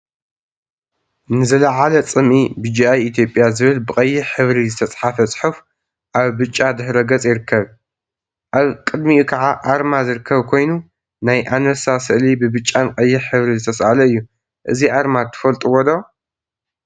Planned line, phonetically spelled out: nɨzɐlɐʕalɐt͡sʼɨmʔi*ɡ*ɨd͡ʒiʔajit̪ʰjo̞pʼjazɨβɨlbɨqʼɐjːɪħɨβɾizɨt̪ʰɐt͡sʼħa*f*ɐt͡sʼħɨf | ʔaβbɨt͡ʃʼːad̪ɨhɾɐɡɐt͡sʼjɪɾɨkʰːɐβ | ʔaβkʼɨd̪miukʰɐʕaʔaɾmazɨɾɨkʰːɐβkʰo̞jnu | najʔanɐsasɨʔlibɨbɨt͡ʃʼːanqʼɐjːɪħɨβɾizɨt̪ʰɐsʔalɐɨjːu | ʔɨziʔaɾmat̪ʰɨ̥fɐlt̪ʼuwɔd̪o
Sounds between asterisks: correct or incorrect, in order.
incorrect: b, correct

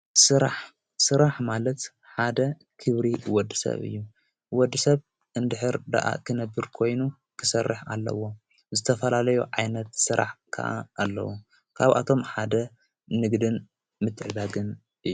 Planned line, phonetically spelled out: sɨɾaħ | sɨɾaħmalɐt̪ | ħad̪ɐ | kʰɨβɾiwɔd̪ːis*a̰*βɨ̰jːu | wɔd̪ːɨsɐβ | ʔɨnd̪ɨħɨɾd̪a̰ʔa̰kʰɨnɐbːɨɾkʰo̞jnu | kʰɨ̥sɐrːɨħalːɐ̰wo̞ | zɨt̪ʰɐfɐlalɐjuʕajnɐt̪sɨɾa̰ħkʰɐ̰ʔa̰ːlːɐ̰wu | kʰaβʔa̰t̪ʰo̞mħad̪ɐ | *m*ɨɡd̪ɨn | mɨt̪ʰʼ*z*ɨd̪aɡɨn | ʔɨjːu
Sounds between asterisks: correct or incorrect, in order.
incorrect: ɐ̰, incorrect: n, incorrect: ʕ

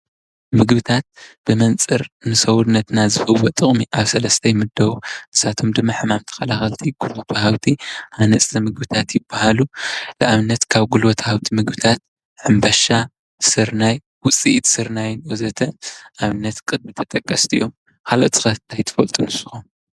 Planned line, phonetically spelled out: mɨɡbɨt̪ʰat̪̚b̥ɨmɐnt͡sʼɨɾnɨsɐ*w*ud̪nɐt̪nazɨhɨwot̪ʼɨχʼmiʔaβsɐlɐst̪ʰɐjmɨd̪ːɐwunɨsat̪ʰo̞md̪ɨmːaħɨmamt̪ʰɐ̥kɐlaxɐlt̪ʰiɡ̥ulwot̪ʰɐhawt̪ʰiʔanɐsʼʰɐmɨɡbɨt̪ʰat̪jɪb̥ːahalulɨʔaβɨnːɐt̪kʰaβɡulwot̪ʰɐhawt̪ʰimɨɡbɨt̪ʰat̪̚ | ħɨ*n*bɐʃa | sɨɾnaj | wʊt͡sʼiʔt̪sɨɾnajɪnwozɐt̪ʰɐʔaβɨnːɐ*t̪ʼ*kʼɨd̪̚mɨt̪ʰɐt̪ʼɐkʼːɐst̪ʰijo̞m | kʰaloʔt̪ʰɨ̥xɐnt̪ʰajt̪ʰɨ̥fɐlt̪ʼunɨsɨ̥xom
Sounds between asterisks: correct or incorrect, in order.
correct, incorrect: m, incorrect: t̪

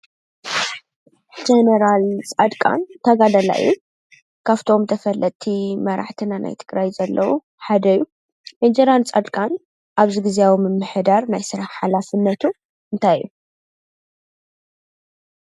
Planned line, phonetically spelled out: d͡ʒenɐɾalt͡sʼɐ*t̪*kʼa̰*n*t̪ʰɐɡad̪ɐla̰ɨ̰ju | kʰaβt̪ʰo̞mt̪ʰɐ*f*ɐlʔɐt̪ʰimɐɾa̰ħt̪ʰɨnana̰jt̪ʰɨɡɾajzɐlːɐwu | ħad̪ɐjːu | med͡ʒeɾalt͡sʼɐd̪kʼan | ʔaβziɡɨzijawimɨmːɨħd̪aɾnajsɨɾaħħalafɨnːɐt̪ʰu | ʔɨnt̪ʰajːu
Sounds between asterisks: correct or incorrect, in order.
incorrect: d̪, correct, correct

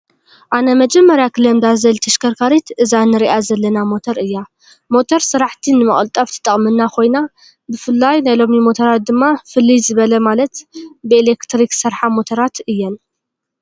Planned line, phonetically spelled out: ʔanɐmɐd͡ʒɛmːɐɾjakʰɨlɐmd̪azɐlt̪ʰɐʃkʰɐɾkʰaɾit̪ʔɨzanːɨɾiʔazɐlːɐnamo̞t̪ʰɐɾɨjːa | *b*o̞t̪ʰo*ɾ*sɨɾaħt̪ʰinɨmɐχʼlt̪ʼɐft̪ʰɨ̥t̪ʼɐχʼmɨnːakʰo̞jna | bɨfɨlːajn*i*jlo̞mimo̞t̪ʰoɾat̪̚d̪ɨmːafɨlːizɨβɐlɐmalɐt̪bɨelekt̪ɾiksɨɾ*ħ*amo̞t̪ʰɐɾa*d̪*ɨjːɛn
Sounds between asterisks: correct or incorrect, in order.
incorrect: m, correct, incorrect: a, correct, incorrect: t̪

